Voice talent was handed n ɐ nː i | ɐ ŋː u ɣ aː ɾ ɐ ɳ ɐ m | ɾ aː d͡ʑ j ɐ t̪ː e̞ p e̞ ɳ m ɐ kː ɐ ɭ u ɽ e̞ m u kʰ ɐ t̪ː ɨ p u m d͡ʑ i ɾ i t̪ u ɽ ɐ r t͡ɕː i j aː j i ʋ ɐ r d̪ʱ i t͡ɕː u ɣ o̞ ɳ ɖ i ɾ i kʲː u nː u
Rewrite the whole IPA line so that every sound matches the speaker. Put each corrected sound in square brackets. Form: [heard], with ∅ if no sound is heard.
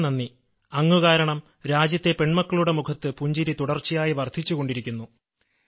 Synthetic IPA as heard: n ɐ nː i | ɐ ŋː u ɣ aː ɾ ɐ ɳ ɐ m | ɾ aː d͡ʑ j ɐ t̪ː e̞ p e̞ ɳ m ɐ kː ɐ ɭ u ɽ e̞ m u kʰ ɐ t̪ː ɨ p u [ɲ] d͡ʑ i ɾ i t̪ u ɽ ɐ r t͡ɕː i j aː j i ʋ ɐ r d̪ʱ i t͡ɕː u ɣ o̞ ɳ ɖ i ɾ i kʲː u nː u